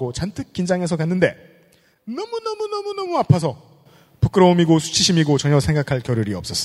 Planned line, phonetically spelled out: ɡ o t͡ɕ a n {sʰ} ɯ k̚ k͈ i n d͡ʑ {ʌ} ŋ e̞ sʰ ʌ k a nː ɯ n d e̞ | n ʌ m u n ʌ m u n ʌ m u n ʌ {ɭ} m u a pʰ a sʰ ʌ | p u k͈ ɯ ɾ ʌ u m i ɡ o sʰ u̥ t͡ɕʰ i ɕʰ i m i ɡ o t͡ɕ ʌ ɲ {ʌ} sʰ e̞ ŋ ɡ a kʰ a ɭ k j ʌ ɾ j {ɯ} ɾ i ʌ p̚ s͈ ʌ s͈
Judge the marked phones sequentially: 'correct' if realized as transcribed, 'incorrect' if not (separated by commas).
incorrect, incorrect, incorrect, correct, incorrect